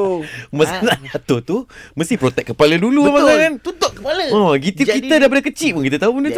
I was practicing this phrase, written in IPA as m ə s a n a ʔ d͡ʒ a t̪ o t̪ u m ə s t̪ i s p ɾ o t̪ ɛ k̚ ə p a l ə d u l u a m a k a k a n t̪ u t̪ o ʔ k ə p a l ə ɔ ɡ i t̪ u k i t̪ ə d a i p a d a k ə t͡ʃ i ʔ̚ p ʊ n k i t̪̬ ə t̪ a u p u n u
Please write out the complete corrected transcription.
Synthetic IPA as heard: m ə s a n a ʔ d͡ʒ a t̪ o t̪ u m ə s t̪ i h p ɾ o t̪ ɛ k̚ ə p a l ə d u l u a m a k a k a n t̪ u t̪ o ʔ k ə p a l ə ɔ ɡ i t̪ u k i t̪ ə d a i p a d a k ə t͡ʃ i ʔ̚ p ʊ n k i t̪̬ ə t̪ a u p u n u